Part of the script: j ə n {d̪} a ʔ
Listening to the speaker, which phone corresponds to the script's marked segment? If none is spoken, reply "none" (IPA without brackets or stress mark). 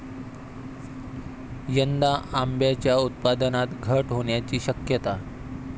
d̪